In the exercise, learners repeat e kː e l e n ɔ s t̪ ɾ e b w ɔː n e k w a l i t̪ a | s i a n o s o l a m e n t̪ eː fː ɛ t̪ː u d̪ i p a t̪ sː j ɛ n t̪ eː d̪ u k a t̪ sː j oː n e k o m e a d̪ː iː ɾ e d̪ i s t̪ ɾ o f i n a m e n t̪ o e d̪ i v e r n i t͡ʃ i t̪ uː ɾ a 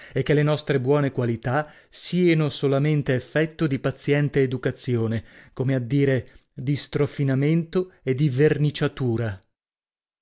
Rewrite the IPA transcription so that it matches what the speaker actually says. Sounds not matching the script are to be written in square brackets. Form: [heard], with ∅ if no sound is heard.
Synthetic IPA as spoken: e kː e l e n ɔ s t̪ ɾ e b w ɔː n e k w a l i t̪ a | s i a n o s o l a m e n t̪ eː fː ɛ t̪ː [o] d̪ i p a t̪ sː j ɛ n t̪ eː d̪ u k a t̪ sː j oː n e k o m e a d̪ː iː ɾ e d̪ i s t̪ ɾ o f i n a m e n t̪ o e d̪ i v e r n i t͡ʃ [a] t̪ uː ɾ a